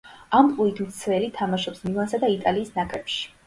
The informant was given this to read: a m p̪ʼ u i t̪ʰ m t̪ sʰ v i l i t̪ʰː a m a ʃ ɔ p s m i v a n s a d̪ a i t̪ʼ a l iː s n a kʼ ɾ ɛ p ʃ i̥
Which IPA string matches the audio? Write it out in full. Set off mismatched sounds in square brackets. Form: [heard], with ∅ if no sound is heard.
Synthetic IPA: a m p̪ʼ u i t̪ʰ m t̪ sʰ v [ɛ] l i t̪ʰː a m a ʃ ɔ p s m i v a n s a d̪ a i t̪ʼ a l iː s n a kʼ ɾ ɛ p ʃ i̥